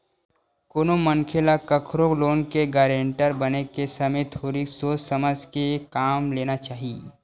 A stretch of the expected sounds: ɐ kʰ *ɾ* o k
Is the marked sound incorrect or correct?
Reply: correct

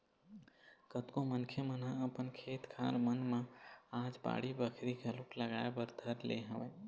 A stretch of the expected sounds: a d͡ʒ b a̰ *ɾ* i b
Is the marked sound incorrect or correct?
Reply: incorrect: ɽ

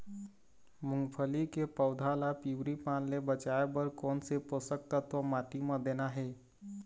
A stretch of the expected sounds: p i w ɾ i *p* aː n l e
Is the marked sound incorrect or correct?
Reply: correct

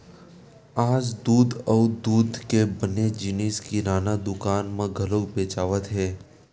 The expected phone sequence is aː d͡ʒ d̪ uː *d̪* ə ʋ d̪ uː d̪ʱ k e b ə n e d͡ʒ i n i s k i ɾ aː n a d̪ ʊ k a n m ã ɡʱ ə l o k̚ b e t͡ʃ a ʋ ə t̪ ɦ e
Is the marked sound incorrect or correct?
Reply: correct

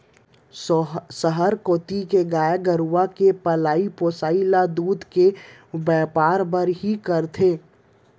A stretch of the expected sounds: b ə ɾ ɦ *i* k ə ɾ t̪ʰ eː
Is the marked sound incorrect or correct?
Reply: correct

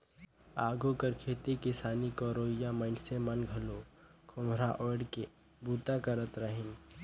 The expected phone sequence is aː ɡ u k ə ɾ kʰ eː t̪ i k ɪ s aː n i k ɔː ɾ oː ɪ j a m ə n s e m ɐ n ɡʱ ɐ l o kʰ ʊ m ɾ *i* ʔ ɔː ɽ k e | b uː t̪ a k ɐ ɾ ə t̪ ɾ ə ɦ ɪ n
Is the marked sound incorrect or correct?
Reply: incorrect: a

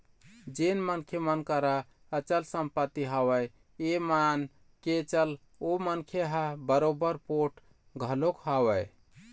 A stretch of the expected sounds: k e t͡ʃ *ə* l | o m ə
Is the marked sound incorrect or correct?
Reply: correct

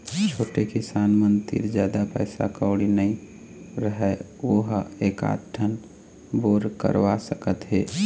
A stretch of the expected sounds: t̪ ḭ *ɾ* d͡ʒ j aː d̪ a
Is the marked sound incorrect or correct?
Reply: correct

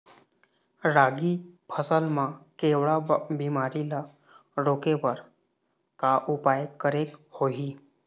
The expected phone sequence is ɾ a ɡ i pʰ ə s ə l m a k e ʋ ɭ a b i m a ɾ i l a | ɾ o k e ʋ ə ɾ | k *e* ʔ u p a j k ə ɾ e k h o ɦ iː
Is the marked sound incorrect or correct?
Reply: incorrect: a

